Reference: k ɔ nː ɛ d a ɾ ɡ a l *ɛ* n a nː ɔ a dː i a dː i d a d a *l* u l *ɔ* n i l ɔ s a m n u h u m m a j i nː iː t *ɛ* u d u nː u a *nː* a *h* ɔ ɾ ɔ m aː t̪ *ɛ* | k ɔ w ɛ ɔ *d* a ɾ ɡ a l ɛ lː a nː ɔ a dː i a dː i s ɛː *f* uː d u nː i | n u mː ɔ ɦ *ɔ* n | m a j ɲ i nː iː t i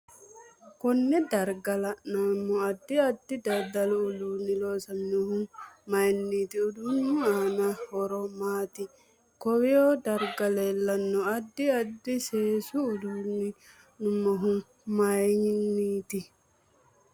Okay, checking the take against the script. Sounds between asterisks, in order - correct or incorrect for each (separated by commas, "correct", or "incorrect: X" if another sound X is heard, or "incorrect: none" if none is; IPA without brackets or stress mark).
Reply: incorrect: a, correct, incorrect: u, incorrect: i, incorrect: n, correct, incorrect: i, correct, incorrect: s, incorrect: u